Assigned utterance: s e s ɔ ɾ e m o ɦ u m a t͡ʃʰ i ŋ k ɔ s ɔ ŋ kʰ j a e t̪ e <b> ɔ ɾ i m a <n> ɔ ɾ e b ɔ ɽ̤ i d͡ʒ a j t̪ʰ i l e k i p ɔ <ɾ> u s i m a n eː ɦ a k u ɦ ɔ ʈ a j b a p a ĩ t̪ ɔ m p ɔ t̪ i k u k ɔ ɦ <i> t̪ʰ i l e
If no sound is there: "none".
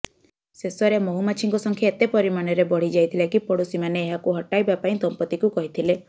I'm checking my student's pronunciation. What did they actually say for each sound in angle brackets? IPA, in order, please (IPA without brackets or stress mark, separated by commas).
p, n, ɽ, i